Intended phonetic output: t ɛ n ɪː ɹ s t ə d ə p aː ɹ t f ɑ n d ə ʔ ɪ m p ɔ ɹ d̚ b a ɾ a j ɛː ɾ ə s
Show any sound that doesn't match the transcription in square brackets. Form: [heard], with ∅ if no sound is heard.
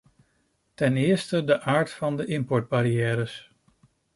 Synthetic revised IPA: t ɛ n ɪː ɹ s t ə d ə [ʔ] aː ɹ t f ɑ n d ə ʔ ɪ m p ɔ ɹ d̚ b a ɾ [i] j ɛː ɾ ə s